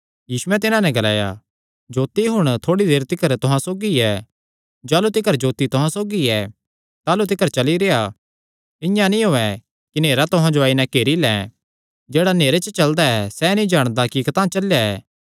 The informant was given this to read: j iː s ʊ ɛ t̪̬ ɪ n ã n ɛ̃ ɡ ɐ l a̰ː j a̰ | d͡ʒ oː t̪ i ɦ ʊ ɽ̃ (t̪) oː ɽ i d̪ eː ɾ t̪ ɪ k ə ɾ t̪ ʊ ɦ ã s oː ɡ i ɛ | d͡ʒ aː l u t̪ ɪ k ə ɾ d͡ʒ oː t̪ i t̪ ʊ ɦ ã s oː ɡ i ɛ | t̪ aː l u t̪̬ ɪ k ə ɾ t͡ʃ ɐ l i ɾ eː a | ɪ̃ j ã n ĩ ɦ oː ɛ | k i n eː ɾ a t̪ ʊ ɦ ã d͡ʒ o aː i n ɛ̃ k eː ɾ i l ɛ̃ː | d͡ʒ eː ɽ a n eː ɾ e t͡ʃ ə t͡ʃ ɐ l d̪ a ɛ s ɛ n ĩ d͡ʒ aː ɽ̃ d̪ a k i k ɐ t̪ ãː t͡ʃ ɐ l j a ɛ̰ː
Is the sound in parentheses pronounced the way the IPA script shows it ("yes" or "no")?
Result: no